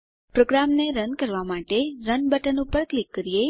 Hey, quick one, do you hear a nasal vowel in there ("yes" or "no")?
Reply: no